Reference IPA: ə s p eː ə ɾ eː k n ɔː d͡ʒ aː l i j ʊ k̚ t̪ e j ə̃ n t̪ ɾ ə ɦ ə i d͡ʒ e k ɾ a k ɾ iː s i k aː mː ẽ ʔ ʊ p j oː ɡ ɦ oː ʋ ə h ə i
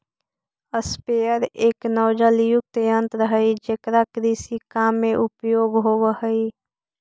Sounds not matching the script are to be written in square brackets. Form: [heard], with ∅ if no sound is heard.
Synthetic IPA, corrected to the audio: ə s p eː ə ɾ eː k n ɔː d͡ʒ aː l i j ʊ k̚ t̪ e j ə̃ n t̪ ɾ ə ɦ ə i d͡ʒ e k ɾ a k ɾ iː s i k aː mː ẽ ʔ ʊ p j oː ɡ ɦ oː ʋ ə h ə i